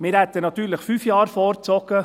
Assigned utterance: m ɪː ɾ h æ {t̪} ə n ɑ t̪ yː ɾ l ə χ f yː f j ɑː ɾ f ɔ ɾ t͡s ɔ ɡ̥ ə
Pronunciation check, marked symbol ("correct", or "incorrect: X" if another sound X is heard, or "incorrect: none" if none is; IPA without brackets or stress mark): correct